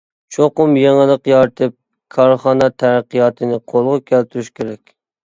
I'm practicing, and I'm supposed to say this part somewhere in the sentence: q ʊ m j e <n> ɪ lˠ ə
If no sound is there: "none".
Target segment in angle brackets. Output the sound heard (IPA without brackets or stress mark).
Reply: ŋ